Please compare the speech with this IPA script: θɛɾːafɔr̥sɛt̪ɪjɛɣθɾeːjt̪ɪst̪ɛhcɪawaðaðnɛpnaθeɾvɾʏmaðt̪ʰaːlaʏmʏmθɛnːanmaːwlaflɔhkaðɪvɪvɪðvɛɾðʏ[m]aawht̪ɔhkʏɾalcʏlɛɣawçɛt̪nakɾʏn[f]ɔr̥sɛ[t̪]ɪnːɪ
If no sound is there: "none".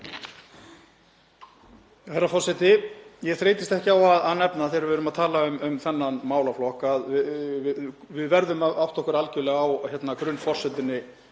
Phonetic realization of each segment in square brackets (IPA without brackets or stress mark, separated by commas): m, f, t̪